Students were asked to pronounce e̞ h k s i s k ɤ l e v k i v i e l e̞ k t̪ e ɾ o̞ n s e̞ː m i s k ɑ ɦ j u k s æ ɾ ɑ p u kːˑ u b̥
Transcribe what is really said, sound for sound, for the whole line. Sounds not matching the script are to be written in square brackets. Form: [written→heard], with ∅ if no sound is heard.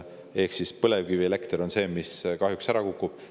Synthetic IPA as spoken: e̞ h k s i s [k→p] ɤ l e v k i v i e l e̞ k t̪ e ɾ o̞ n s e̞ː m i s k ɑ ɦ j u k s æ ɾ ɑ [p→k] u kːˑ u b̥